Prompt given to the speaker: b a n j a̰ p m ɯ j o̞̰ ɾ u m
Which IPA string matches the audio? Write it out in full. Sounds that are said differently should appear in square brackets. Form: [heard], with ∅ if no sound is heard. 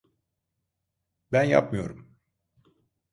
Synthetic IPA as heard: b [æ] n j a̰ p m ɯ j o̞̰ ɾ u m